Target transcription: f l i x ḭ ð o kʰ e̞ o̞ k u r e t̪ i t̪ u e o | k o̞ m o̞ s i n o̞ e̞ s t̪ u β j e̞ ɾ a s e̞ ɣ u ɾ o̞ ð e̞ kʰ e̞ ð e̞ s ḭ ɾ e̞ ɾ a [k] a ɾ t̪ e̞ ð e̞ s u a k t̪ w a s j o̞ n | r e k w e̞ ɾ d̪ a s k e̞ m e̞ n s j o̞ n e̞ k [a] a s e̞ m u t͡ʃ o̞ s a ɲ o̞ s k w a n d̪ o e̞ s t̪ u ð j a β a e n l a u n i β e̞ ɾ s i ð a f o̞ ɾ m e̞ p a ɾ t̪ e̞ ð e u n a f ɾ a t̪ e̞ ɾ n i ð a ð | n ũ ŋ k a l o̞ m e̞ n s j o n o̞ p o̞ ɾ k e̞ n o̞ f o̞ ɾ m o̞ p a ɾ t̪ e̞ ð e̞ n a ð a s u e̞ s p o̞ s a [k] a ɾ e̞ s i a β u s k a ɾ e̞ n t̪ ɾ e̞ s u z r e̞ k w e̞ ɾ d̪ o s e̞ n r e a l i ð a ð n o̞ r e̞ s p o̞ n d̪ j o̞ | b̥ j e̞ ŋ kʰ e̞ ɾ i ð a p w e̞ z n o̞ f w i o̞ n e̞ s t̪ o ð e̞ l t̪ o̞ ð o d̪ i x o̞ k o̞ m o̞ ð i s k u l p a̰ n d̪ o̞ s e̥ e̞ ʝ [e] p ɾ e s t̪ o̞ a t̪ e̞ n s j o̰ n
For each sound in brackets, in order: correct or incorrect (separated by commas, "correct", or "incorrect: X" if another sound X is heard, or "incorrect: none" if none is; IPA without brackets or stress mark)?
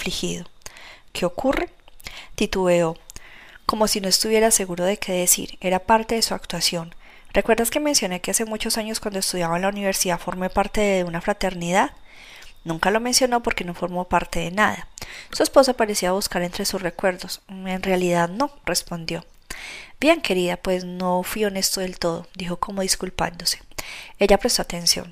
incorrect: p, incorrect: e, incorrect: p, incorrect: a